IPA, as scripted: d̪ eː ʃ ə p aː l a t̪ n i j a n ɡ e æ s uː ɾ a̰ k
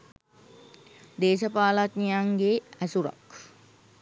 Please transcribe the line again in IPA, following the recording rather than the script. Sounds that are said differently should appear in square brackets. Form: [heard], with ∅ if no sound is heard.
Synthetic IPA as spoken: d̪ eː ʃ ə p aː l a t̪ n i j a [ŋ] ɡ e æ s [u] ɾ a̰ k

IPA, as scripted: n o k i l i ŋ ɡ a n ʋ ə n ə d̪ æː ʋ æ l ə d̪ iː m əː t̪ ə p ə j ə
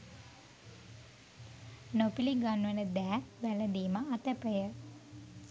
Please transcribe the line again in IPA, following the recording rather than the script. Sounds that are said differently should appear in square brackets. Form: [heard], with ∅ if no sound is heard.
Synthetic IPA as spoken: n o [p] i l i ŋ ɡ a n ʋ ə n ə d̪ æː ʋ æ l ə d̪ iː m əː t̪ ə p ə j ə

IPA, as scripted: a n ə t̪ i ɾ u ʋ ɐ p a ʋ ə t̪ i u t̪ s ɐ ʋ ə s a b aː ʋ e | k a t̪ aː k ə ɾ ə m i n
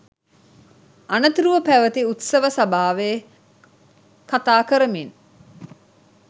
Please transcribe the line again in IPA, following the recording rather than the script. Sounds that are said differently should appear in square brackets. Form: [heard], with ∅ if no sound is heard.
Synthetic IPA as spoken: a n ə t̪ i ɾ u ʋ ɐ p [æ] ʋ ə t̪ i u t̪ s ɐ ʋ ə s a b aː ʋ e | k a t̪ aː k ə ɾ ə m i n

